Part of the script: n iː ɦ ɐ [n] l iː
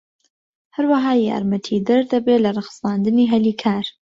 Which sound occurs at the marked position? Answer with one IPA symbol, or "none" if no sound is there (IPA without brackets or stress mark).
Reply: none